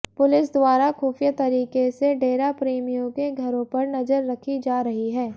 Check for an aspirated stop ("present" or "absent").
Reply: present